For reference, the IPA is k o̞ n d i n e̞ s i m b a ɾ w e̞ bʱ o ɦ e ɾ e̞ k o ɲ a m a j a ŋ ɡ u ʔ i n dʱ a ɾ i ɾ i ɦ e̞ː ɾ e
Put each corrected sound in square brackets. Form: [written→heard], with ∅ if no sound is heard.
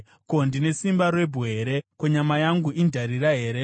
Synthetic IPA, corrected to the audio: k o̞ n d i n e̞ s i m b a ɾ w e̞ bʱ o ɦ e ɾ e̞ k o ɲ a m a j a ŋ ɡ u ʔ i n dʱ a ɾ i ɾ [i→a] ɦ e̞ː ɾ e